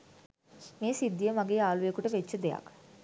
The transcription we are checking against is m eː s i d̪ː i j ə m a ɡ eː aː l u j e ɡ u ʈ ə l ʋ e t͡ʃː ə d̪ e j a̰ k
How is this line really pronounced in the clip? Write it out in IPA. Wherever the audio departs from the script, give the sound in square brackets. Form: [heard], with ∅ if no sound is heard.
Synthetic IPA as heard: m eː s i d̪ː i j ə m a ɡ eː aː l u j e [k] u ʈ ə [∅] ʋ e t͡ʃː ə d̪ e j a̰ k

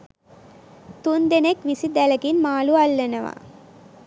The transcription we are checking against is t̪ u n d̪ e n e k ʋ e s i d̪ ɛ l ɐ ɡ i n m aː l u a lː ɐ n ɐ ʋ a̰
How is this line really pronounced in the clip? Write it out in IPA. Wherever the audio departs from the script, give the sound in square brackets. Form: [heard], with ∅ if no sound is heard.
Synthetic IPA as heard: t̪ u n d̪ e n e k ʋ [i] s i d̪ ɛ l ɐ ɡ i n m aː l u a lː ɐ n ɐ ʋ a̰

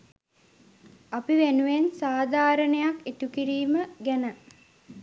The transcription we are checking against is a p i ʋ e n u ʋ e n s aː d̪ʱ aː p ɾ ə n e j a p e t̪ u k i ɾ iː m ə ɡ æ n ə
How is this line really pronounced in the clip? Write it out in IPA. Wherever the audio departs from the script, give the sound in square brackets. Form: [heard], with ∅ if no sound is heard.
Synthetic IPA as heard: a p i ʋ e n u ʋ e n s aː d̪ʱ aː [∅] ɾ ə n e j a [k] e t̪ u k i ɾ iː m ə ɡ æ n ə

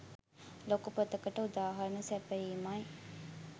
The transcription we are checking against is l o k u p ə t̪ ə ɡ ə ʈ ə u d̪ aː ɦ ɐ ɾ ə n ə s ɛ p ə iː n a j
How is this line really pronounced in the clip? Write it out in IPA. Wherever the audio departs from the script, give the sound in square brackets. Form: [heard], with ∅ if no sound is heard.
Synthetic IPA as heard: l o k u p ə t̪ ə [k] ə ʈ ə u d̪ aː ɦ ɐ ɾ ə n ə s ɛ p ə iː [m] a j

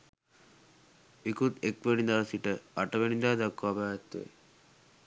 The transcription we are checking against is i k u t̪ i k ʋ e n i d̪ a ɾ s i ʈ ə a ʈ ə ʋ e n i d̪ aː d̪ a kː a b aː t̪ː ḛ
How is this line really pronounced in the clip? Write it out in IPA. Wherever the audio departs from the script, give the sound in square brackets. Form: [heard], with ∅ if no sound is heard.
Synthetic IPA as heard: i k u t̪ [e] k ʋ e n i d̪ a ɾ s i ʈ ə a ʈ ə ʋ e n i d̪ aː d̪ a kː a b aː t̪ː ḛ

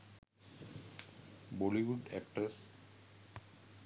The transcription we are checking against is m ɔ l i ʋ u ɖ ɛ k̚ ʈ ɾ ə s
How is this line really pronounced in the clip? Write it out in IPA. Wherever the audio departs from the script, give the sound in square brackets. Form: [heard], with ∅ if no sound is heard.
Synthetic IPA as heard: [b] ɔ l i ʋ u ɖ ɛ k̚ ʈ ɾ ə s

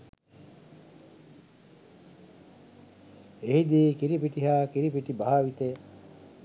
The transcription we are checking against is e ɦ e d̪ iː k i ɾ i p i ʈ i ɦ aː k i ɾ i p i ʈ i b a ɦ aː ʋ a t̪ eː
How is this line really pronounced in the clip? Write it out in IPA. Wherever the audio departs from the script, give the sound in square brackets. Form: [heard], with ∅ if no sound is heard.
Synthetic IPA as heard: e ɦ [i] d̪ iː k i ɾ i p i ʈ i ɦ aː k i ɾ i p i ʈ i b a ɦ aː ʋ [i] t̪ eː

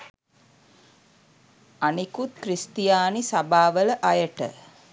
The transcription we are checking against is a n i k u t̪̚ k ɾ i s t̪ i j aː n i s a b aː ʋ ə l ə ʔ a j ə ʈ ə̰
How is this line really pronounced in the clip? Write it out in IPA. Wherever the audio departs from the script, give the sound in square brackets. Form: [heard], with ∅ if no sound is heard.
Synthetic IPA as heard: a n i k u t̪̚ k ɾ i s t̪ i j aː n i s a b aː ʋ ə l ə ʔ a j ə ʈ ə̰

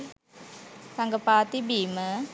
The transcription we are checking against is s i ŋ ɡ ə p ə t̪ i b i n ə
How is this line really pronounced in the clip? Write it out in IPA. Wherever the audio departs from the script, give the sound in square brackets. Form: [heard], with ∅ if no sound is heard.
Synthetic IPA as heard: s [a] ŋ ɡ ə p [a] t̪ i b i [m] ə

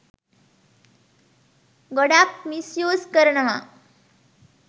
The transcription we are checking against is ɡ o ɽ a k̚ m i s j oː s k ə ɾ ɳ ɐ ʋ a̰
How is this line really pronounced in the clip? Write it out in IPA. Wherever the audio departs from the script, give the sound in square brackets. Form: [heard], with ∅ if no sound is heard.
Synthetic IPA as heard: ɡ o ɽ a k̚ m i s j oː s k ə ɾ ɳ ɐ ʋ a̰

